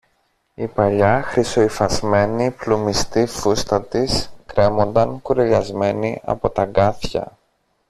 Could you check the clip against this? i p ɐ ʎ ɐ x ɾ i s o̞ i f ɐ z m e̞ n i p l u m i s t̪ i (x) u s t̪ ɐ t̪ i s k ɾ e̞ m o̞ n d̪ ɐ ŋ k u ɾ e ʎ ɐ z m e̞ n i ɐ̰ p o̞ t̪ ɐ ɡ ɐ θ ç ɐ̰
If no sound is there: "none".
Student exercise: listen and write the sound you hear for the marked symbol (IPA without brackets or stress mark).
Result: f